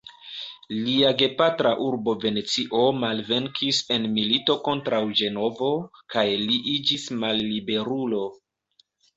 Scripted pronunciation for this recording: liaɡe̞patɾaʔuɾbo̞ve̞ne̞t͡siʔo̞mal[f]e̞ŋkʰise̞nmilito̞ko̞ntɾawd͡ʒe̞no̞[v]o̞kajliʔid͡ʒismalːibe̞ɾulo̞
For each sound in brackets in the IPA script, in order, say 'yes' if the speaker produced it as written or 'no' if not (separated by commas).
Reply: no, yes